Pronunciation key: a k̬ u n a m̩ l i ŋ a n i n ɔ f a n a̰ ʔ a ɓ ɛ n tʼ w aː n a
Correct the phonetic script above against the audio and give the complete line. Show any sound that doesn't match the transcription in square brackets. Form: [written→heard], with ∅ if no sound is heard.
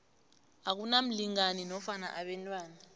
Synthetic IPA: a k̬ u n a m̩ l i ŋ a n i n ɔ f a n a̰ ʔ a ɓ ɛ n tʼ w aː n a